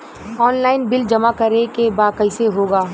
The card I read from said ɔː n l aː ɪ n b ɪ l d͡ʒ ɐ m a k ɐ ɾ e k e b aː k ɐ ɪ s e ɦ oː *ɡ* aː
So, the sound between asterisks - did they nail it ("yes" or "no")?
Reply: yes